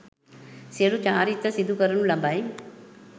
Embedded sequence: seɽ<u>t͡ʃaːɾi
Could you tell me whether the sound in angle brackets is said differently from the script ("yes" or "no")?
no